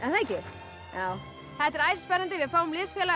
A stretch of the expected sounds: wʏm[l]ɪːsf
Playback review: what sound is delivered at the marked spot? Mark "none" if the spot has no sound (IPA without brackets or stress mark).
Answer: l